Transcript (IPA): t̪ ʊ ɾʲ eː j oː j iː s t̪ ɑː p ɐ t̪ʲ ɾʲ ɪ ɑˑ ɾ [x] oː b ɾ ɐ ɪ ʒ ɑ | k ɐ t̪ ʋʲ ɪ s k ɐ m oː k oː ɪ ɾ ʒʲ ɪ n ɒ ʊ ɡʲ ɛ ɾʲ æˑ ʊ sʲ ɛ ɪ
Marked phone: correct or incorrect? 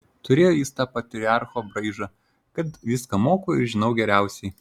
correct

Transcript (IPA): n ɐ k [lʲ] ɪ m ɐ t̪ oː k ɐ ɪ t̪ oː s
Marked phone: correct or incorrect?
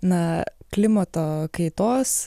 correct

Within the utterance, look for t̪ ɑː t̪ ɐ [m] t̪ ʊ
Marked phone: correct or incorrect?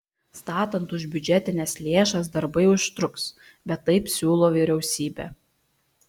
incorrect: n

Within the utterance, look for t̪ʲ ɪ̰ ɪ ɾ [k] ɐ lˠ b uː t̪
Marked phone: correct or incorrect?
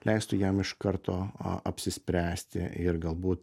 incorrect: ɡ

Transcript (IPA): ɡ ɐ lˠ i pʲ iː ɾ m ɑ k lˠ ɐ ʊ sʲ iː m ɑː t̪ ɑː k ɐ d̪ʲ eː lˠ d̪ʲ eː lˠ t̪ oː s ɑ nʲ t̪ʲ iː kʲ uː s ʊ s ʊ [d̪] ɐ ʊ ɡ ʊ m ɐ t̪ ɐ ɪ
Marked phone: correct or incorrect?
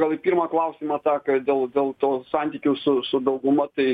correct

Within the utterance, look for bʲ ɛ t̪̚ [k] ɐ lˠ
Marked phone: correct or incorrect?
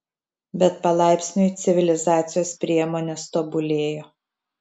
incorrect: p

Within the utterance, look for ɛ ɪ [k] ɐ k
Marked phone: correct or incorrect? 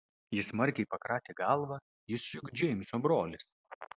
incorrect: p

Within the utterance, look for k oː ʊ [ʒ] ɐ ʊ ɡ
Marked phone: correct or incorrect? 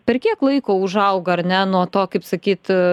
correct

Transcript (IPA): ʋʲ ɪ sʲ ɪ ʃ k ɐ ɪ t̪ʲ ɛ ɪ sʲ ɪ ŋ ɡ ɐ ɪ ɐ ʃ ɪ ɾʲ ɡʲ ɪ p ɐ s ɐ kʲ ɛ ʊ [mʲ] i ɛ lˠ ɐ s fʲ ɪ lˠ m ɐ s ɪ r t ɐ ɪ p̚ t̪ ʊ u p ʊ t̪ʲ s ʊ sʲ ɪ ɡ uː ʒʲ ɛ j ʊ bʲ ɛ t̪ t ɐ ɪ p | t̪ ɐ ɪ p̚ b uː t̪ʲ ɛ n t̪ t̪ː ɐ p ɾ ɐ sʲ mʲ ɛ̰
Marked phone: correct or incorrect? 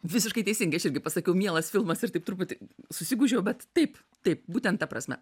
correct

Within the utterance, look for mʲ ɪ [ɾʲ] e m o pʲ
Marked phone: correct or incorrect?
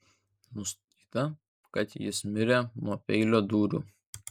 correct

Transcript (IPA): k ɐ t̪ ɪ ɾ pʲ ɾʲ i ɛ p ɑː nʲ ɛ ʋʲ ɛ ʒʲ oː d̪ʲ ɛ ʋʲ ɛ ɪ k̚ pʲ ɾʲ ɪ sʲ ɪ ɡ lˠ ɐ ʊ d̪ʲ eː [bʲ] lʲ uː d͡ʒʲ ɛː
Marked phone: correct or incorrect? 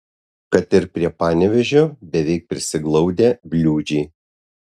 correct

